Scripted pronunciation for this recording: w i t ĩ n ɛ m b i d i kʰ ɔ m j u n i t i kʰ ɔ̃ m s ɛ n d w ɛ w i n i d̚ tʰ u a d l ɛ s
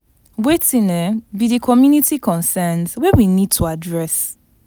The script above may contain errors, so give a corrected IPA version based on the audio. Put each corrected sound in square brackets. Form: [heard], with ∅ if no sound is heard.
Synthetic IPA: w [e] t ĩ n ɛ [∅] b i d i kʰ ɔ m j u n i t i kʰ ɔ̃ [n] s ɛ n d w ɛ w i n i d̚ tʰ u a d [ɹ] ɛ s